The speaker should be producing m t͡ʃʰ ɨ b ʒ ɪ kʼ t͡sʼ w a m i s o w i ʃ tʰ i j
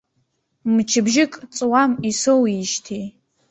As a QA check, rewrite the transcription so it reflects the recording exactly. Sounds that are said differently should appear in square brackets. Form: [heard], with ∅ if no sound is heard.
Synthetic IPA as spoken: m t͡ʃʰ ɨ b ʒ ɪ kʼ t͡sʼ w a m i s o w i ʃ tʰ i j